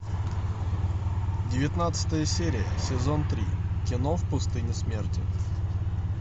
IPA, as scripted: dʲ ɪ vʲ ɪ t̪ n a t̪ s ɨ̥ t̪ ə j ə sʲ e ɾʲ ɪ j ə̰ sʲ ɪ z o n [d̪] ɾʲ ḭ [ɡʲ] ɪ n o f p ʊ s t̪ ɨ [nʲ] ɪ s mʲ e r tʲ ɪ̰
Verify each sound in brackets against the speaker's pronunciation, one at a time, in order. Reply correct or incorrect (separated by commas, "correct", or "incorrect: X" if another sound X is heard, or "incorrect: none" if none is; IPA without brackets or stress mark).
incorrect: t̪, incorrect: kʲ, correct